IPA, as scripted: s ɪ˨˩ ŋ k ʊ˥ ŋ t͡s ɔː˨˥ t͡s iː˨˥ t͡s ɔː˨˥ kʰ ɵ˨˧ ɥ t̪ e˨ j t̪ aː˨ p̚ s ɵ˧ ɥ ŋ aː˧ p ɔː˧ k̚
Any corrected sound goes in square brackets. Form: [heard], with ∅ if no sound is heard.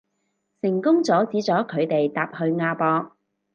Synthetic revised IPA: s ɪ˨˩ ŋ k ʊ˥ ŋ t͡s ɔː˨˥ t͡s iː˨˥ t͡s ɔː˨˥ kʰ ɵ˨˧ ɥ t̪ e˨ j t̪ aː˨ p̚ [h] ɵ˧ ɥ ŋ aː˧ p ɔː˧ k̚